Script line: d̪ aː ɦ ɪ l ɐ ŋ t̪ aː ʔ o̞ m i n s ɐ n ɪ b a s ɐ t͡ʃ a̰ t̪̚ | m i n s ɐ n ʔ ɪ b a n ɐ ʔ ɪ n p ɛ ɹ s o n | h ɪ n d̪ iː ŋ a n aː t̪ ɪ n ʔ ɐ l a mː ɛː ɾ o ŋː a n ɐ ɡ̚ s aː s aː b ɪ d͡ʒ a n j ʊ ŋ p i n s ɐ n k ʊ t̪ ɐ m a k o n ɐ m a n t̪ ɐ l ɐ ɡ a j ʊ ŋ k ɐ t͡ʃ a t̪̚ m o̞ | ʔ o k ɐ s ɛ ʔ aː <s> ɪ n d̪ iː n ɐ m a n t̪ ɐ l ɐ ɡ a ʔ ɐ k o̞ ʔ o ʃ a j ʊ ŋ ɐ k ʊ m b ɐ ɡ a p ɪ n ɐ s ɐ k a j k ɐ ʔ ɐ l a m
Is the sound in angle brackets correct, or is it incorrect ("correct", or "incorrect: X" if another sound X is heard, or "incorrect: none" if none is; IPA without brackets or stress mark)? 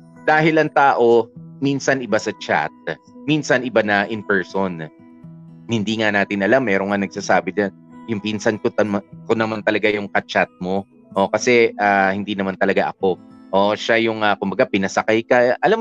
incorrect: h